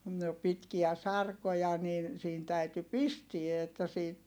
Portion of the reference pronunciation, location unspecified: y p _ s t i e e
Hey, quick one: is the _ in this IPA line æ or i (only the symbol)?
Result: i